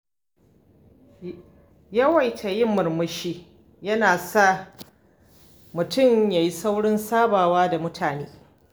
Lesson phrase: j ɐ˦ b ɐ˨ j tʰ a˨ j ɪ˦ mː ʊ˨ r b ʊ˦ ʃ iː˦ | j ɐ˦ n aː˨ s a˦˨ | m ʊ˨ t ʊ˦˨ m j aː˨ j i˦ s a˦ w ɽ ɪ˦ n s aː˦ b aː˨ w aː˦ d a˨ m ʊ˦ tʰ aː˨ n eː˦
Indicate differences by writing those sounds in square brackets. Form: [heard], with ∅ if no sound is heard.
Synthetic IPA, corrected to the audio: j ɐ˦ [w] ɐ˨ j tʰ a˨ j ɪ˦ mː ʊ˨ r [m] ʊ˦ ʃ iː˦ | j ɐ˦ n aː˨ s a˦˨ | m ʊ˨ t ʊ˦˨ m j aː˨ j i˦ s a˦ w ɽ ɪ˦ n s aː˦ b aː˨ w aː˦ d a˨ m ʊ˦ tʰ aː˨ n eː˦